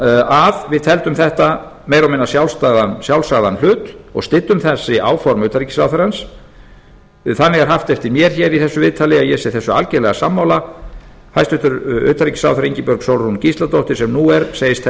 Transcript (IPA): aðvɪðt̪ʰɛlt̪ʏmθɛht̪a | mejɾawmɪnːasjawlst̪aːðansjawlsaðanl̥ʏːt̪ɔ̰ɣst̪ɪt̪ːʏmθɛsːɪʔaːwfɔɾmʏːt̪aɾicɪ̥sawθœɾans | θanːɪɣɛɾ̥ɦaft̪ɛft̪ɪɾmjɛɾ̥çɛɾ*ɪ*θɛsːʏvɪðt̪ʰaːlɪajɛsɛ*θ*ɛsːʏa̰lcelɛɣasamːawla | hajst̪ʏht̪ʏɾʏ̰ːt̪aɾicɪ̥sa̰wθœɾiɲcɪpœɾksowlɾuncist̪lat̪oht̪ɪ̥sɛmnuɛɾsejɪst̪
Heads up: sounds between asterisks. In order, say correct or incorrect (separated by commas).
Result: incorrect, correct